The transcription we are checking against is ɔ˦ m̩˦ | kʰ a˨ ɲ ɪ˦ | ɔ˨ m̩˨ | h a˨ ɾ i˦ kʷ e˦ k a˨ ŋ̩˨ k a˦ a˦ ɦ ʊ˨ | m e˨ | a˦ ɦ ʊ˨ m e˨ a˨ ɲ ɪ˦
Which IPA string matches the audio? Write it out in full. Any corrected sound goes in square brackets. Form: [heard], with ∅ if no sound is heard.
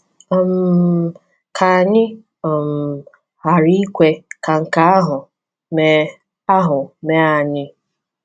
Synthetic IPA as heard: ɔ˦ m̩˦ | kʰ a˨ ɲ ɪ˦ | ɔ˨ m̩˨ | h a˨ ɾ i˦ kʷ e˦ k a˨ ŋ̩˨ k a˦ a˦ ɦ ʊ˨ | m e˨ | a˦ ɦ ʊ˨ m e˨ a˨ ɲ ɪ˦